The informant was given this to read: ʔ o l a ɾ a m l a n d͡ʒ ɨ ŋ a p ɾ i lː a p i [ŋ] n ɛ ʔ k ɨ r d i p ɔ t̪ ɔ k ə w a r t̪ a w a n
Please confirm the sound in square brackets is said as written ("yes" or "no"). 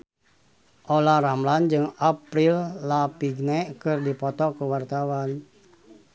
no